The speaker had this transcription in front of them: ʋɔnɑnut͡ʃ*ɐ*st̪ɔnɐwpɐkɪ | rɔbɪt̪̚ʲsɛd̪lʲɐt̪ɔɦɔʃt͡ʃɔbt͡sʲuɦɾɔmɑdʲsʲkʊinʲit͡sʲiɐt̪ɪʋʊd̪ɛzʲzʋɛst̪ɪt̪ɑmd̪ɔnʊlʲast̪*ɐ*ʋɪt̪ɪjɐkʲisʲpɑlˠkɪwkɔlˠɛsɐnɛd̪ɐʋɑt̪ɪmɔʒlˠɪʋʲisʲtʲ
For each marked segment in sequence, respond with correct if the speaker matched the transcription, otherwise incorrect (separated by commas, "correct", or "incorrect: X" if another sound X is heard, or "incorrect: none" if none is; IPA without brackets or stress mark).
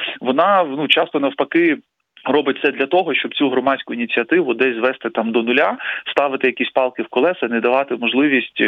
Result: incorrect: ɑ, incorrect: ɑ